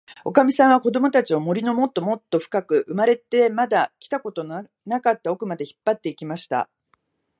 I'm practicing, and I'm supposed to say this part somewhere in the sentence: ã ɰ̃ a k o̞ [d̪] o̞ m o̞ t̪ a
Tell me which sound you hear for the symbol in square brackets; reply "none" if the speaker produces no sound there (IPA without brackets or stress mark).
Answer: d̪